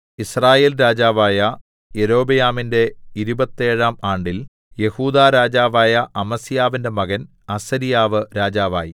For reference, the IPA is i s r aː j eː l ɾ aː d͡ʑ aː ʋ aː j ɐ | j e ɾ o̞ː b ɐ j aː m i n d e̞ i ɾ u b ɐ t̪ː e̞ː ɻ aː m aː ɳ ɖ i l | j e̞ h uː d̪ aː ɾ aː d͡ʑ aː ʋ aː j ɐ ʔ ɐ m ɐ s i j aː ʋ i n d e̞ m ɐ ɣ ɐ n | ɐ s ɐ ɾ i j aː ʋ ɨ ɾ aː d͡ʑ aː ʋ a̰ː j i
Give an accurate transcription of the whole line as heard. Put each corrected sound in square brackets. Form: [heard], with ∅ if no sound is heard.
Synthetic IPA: i s r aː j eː l ɾ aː d͡ʑ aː ʋ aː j ɐ | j e ɾ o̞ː b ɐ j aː m i n d e̞ i ɾ u b ɐ t̪ː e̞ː ɻ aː m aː ɳ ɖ i l | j e̞ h uː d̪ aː ɾ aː d͡ʑ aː ʋ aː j ɐ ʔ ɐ m ɐ s i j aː ʋ i n d e̞ m ɐ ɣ ɐ n | ɐ s ɐ ɾ i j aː ʋ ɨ ɾ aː d͡ʑ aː ʋ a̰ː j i